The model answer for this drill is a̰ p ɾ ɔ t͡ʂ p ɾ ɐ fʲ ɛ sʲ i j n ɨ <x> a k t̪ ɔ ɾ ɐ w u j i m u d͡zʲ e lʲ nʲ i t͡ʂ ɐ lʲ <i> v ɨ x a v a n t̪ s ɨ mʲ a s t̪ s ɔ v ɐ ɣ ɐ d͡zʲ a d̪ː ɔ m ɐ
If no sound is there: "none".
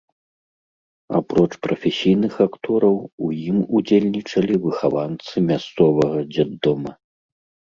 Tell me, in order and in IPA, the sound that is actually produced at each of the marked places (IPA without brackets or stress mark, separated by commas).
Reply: x, i